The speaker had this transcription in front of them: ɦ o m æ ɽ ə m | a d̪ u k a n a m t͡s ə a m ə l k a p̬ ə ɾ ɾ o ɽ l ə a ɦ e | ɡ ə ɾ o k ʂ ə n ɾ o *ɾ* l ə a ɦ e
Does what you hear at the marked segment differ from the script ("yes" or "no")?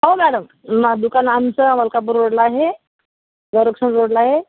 yes